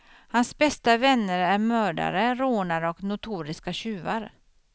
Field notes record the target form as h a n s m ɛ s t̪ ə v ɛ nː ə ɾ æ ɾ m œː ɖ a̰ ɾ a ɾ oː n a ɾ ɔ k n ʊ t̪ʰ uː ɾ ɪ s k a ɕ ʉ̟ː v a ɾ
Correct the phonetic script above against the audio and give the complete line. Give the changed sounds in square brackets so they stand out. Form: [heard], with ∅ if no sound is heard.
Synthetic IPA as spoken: h a n s [b] ɛ s t̪ [a] v ɛ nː ə ɾ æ ɾ m œː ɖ a̰ ɾ [ə] ɾ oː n a ɾ ɔ k n ʊ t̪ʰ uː ɾ ɪ s k a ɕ ʉ̟ː v a ɾ